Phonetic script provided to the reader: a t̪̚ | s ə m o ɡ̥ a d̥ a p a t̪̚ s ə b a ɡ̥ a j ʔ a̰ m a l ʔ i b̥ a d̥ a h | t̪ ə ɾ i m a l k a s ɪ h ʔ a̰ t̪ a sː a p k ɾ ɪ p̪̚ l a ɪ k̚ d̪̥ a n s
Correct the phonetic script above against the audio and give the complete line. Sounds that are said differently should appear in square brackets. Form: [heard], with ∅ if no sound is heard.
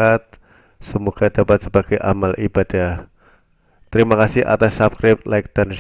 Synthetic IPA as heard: a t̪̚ | s ə m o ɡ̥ a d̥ a p a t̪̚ s ə b a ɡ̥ a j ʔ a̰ m a l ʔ i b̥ a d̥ a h | t̪ ə ɾ i m a [∅] k a s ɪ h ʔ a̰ t̪ a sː a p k ɾ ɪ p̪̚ l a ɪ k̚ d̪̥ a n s

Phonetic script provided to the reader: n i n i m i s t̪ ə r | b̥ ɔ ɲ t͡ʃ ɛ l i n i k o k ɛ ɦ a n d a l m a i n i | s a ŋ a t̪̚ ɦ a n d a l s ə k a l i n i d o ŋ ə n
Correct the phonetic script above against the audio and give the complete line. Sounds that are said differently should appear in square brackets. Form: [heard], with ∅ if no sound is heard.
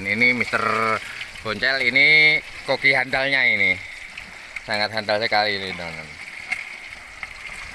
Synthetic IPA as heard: n i n i m i s t̪ ə r | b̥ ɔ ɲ t͡ʃ ɛ l i n i k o k [i] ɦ a n d a l [ɲ] a i n i | s a ŋ a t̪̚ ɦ a n d a l s ə k a l i n i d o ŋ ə n

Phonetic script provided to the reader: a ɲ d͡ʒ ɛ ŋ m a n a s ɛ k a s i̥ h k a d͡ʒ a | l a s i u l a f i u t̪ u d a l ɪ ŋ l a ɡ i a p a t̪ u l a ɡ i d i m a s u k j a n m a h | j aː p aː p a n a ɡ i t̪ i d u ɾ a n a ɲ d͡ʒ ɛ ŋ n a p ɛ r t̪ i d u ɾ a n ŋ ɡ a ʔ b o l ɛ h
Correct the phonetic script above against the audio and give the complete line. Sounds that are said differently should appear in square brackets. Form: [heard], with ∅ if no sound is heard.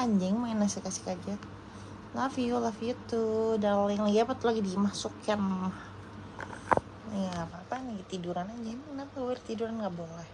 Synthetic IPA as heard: a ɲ d͡ʒ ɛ ŋ m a n a s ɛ k a s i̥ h k a d͡ʒ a | l a [f] i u l a f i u t̪ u d a l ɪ ŋ l a ɡ i a p a t̪ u l a ɡ i d i m a s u k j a n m a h | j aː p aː p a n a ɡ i t̪ i d u ɾ a n a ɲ d͡ʒ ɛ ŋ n a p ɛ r t̪ i d u ɾ a n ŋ ɡ a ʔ b o l ɛ h

